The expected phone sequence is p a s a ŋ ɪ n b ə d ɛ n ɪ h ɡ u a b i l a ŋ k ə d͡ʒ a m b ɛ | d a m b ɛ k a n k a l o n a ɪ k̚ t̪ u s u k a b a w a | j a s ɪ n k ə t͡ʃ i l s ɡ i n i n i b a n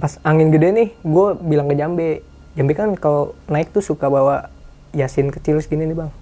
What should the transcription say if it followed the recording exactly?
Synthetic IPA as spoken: p a s a ŋ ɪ n ɡ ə d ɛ n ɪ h ɡ u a b i l a ŋ k ə d͡ʒ a m b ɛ | d͡ʒ a m b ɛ k a n k a l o n a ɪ k̚ t̪ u s u k a b a w a | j a s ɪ n k ə t͡ʃ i l s ɡ i n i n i b a ŋ